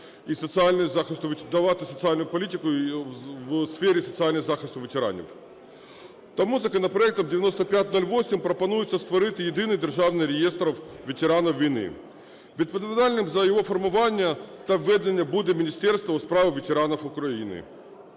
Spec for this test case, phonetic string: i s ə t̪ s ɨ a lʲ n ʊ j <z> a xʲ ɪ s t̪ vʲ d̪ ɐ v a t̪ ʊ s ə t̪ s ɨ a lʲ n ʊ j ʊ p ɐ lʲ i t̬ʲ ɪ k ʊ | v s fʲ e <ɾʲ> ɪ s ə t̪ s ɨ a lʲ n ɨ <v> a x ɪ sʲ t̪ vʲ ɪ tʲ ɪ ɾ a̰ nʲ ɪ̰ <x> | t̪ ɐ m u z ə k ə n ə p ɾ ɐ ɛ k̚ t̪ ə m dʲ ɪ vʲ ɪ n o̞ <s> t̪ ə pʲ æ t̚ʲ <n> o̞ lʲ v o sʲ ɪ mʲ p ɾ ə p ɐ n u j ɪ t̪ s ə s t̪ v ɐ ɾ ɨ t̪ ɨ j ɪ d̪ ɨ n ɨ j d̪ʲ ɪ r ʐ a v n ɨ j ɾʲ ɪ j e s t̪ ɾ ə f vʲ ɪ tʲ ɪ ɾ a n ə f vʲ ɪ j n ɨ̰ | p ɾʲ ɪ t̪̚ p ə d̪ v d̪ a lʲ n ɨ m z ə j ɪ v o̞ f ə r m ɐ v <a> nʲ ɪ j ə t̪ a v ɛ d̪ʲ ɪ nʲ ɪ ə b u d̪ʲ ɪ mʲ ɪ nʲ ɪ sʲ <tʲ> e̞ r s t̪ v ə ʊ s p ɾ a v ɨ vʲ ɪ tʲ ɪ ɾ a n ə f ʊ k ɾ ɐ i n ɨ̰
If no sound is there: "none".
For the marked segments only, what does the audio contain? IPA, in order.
z, ɾʲ, z, f, s, n, a, tʲ

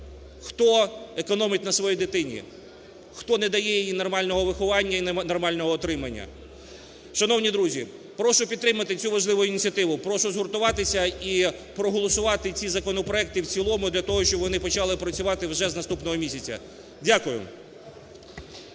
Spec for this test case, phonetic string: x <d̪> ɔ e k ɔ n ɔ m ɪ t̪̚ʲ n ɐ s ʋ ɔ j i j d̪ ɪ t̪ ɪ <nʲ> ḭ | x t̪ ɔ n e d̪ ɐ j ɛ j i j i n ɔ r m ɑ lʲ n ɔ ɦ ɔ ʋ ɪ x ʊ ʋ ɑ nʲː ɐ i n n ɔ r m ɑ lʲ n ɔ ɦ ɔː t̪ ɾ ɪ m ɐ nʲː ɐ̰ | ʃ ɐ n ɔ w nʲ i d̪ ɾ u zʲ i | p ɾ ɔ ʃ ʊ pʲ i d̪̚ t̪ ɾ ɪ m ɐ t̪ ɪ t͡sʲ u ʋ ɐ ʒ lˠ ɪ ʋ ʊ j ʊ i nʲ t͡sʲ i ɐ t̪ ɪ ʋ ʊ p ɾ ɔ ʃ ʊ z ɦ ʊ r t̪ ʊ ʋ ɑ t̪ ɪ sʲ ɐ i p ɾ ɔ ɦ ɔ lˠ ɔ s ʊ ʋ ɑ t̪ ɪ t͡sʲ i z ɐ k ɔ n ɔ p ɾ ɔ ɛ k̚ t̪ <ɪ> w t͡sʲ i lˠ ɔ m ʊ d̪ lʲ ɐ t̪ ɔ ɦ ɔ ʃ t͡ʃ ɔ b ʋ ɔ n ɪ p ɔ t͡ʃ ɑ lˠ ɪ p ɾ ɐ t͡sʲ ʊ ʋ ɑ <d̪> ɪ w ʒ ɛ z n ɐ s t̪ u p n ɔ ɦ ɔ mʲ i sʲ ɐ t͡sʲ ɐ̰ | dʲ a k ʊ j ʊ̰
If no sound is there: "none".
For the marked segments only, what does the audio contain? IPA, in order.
t̪, nʲ, ɪ, t̪

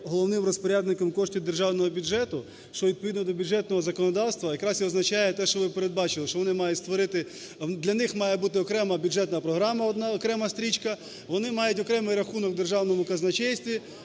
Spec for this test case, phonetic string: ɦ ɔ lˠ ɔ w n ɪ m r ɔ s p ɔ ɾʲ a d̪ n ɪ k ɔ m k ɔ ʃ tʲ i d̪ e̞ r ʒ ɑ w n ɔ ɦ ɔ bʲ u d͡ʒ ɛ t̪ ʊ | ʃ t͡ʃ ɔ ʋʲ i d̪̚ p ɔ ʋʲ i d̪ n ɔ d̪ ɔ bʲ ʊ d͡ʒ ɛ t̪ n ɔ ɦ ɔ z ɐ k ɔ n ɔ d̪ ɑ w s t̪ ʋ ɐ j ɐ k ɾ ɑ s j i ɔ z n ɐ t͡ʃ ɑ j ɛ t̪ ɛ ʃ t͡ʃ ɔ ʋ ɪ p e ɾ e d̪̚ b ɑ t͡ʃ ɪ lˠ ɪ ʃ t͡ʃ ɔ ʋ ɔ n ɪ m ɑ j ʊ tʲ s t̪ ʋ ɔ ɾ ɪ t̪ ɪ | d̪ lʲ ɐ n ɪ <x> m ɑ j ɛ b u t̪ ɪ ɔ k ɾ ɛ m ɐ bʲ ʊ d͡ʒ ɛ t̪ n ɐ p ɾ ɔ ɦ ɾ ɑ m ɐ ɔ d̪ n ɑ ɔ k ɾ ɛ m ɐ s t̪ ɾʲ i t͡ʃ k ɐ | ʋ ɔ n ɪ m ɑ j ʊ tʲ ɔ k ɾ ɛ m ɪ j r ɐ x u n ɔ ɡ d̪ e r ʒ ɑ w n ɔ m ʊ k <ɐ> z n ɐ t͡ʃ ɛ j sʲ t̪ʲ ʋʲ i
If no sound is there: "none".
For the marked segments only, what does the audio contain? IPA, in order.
x, ɐ

